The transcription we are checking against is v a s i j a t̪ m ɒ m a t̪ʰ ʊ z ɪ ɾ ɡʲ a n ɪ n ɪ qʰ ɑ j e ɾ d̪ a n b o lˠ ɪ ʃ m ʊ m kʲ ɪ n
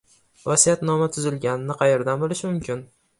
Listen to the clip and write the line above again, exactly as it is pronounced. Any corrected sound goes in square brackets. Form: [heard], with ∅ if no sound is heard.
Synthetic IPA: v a s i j a t̪ [n] ɒ m a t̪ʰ ʊ z ɪ [l] ɡʲ a n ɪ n ɪ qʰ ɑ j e ɾ d̪ a n b o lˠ ɪ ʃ m ʊ m kʲ ɪ n